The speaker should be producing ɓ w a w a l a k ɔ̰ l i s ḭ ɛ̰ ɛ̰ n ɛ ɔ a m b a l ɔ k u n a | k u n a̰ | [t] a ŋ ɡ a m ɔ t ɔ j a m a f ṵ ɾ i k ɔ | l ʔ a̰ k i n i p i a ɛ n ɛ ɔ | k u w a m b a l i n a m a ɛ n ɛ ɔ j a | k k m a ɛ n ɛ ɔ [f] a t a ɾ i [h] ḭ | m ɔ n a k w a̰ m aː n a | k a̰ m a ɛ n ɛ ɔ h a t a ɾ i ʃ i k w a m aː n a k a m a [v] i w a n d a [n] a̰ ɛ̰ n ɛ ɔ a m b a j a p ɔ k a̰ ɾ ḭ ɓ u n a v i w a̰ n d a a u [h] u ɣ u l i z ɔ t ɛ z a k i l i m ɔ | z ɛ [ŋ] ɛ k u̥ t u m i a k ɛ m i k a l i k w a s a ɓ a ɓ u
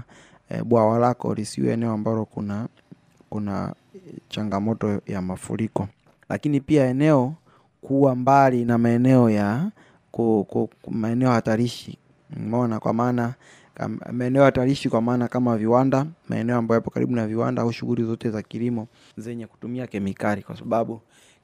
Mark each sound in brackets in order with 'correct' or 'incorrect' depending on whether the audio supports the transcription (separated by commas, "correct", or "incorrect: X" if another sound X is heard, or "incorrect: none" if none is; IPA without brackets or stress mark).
incorrect: t͡ʃ, incorrect: h, incorrect: ʃ, correct, incorrect: m, incorrect: ʃ, incorrect: ɲ